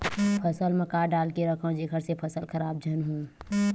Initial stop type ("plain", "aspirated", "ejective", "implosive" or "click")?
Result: aspirated